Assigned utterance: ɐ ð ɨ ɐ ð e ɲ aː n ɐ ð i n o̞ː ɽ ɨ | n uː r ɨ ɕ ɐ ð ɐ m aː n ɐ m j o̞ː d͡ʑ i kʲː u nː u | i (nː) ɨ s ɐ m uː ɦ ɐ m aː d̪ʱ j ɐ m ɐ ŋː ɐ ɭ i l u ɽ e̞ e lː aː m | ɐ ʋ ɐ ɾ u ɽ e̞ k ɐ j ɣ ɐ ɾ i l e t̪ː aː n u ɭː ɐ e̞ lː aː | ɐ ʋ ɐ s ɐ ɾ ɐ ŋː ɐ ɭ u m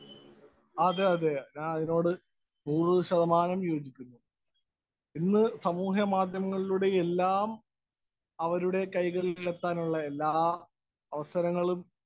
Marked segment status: correct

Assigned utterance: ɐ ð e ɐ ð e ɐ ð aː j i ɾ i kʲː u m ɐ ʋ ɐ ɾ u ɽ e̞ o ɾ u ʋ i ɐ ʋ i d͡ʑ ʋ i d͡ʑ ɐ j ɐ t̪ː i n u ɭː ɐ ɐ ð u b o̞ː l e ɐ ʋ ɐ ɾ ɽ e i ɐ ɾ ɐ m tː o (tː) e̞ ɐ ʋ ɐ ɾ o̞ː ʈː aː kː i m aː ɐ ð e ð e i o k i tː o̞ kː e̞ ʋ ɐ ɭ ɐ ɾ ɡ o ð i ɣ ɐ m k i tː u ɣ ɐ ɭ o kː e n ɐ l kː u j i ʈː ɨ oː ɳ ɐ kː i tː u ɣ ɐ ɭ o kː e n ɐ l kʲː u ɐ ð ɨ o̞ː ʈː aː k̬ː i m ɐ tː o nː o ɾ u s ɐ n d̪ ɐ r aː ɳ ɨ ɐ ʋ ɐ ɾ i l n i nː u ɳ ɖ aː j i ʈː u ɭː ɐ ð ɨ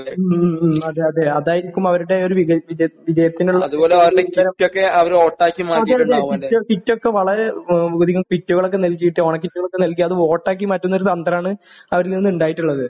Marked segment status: incorrect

